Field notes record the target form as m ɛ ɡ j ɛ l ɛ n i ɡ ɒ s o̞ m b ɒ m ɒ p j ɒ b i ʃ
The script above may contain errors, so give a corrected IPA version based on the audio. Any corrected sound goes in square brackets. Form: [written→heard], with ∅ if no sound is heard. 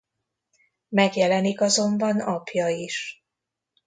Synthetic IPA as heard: m ɛ ɡ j ɛ l ɛ n i [ɡ→k] ɒ [s→z] o̞ m b ɒ [m→n] ɒ p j ɒ [b→∅] i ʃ